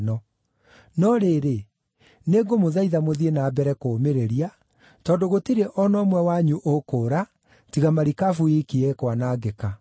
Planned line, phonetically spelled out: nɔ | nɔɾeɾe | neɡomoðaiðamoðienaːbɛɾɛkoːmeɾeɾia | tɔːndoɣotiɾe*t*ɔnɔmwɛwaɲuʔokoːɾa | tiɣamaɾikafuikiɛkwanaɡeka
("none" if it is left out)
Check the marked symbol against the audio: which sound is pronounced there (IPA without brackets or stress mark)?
ʔ